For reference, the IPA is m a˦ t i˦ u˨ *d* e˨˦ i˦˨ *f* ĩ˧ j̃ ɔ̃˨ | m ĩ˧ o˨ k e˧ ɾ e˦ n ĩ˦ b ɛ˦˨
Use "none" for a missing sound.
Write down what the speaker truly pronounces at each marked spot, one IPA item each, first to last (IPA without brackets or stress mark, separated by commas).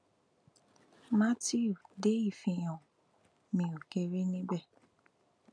d, f